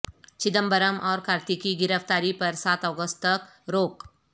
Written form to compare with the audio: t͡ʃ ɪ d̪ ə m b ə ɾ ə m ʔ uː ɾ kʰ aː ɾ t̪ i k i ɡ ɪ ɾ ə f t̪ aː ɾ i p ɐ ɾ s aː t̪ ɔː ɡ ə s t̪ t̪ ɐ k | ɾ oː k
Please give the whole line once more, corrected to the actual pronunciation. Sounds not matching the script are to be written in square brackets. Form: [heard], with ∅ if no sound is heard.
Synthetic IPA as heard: t͡ʃ ɪ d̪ ə m b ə ɾ ə m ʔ [ɔː] ɾ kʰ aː ɾ t̪ i k i ɡ ɪ ɾ ə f t̪ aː ɾ i p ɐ ɾ s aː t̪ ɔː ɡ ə s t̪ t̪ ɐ k | ɾ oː k